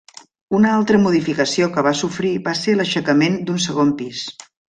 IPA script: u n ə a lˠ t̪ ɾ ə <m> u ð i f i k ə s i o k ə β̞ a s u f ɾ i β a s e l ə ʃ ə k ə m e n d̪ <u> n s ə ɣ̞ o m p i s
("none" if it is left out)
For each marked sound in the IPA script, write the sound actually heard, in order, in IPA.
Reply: m, u

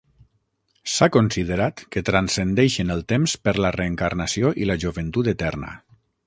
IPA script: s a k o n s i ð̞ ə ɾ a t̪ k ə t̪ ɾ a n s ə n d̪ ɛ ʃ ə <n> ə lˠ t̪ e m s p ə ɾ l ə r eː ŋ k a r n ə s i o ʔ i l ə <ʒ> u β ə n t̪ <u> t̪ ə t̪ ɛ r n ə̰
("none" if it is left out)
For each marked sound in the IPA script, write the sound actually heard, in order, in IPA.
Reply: n, ʒ, u

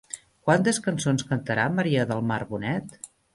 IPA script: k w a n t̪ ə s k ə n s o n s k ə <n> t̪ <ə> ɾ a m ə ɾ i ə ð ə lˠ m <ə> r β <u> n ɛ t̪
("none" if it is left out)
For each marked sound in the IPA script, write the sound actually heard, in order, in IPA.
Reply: n, ə, a, u

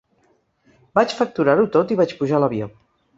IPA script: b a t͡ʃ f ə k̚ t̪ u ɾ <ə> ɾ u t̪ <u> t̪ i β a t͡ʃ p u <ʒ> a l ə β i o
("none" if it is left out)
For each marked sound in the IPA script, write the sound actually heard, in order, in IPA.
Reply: a, o, ʒ

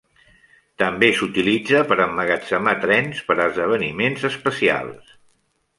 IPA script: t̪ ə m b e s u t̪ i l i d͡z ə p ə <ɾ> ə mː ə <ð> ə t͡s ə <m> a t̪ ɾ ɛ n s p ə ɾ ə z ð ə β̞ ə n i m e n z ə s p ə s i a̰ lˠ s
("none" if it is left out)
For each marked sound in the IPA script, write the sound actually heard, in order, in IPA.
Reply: ɾ, ɣ, m

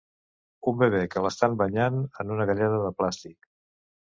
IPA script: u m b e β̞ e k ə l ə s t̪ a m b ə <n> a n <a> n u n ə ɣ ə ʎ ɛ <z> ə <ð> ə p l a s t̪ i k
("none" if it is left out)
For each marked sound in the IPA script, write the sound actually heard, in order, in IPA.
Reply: ɲ, ə, ð, ð

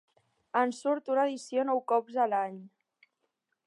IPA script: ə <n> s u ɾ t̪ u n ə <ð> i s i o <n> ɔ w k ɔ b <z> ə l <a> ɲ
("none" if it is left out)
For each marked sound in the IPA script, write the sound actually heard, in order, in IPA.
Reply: n, ð, n, z, a

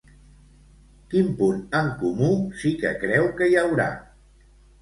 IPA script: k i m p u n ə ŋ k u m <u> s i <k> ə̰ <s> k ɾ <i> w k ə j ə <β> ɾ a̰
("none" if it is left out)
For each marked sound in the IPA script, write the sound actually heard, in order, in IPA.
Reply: u, k, none, ɛ, w

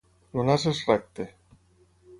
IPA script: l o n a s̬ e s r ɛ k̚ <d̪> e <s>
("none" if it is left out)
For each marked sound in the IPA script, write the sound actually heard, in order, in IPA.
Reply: t̪, none

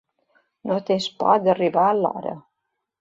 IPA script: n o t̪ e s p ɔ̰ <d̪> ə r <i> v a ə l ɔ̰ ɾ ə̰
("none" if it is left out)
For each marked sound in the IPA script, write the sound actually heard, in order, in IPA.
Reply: d̪, i

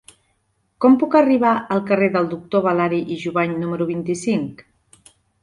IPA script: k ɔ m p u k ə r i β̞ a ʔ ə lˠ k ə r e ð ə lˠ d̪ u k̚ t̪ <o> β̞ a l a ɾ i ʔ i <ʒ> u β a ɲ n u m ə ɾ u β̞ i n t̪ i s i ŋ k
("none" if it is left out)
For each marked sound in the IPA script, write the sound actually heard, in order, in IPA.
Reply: o, ʒ

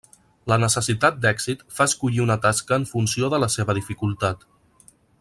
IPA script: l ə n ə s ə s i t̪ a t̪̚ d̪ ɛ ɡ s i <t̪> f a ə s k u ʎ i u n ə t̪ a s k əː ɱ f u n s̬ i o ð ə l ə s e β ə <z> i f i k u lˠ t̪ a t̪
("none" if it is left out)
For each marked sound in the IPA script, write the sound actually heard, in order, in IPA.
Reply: t̪, ð

